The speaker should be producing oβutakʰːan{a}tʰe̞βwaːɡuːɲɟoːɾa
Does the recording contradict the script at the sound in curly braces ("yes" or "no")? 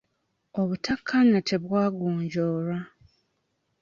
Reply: no